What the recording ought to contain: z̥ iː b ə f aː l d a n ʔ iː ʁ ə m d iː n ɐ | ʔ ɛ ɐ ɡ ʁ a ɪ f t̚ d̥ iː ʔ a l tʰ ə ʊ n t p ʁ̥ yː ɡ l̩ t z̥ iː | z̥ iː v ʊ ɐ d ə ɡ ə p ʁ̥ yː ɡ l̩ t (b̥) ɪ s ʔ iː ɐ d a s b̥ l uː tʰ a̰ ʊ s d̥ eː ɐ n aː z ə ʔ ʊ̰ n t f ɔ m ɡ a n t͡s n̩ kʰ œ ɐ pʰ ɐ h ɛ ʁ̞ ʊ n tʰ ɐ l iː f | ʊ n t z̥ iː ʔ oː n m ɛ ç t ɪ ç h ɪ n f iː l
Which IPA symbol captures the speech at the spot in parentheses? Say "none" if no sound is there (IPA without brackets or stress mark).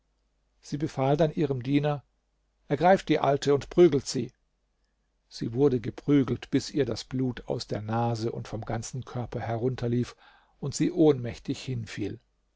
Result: b̥